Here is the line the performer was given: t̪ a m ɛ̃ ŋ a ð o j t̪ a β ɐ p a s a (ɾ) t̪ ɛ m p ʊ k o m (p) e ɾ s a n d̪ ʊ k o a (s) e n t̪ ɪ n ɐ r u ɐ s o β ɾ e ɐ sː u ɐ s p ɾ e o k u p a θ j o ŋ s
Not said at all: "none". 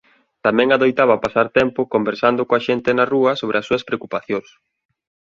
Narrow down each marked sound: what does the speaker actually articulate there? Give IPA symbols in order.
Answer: ɾ, b, ʃ

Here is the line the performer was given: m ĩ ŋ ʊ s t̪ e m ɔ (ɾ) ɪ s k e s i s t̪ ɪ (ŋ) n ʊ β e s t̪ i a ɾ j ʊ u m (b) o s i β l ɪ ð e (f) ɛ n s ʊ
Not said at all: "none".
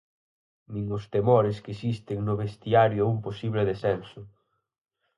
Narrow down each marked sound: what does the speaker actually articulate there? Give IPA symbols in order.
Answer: ɾ, ŋ, p, s

